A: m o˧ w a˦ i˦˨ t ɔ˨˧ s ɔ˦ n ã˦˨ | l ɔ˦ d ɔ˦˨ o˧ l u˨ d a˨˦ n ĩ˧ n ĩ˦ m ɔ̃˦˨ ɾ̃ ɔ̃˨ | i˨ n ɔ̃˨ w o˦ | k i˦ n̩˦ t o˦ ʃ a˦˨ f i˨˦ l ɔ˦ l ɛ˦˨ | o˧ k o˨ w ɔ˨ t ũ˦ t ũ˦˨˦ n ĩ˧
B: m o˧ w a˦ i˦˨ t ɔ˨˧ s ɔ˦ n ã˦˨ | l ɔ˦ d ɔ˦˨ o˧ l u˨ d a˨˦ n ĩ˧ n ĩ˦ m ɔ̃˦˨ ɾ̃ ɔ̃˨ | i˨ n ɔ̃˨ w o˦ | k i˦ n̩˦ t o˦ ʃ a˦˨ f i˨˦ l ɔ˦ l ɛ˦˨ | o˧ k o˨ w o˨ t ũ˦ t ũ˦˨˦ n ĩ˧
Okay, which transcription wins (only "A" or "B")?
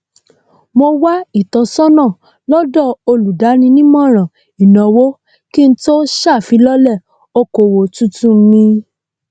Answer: B